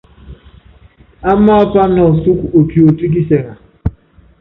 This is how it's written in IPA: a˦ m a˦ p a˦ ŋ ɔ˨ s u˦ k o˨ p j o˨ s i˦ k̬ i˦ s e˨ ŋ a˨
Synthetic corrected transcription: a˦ m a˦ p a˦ n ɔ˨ s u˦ k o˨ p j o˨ t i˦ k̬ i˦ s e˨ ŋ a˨